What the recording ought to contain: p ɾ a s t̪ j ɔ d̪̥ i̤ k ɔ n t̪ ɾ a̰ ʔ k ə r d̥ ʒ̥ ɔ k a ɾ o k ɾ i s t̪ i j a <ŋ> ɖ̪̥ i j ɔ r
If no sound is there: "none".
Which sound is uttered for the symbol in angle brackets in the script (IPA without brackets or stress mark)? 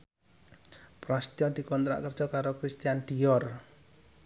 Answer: n